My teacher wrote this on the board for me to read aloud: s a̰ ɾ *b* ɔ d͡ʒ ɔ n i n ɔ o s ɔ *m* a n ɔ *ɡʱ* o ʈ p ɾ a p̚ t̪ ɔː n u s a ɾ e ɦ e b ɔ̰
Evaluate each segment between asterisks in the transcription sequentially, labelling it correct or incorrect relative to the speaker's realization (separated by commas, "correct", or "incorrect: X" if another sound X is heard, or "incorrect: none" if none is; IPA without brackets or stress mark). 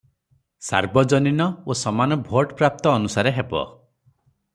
correct, correct, incorrect: bʱ